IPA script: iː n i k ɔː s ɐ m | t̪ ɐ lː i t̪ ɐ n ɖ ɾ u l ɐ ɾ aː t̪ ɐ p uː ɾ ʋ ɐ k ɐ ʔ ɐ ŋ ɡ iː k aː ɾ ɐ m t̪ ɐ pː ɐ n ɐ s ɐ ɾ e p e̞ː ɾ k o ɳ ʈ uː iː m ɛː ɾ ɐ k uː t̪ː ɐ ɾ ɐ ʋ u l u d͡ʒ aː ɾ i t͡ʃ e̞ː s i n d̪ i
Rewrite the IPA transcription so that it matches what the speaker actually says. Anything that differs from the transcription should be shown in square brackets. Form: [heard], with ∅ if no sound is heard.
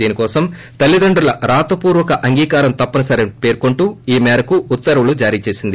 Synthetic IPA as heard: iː n i k ɔː s ɐ m | t̪ ɐ lː i [d̪] ɐ [ɳ] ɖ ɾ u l ɐ ɾ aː t̪ ɐ p uː ɾ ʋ ɐ k ɐ ʔ ɐ ŋ ɡ iː k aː ɾ ɐ m t̪ ɐ pː ɐ n ɐ s ɐ ɾ e p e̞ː ɾ k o ɳ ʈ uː iː m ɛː ɾ ɐ k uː t̪ː ɐ ɾ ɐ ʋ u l u d͡ʒ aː ɾ [iː] t͡ʃ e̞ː s i n d̪ i